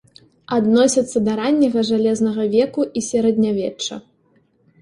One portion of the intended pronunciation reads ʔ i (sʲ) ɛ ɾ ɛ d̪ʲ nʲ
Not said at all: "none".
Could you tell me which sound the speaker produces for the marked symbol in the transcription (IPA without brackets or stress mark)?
sʲ